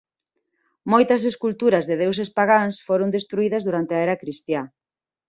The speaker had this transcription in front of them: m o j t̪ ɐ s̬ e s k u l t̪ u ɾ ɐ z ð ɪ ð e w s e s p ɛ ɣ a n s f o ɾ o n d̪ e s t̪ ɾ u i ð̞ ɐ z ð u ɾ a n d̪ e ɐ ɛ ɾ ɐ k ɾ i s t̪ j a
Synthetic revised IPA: m o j t̪ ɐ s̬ e s k u l t̪ u ɾ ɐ z ð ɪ ð e w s e s p a ɣ a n s f o ɾ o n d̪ e s t̪ ɾ u i ð̞ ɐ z ð u ɾ a n t̪ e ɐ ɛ ɾ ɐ k ɾ i s t̪ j a